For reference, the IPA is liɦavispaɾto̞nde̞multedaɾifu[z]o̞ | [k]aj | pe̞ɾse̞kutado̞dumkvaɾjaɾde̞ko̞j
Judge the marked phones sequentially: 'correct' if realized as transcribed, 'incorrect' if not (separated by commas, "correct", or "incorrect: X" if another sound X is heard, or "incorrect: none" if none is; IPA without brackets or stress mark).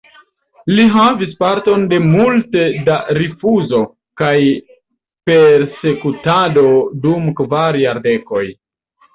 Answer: correct, correct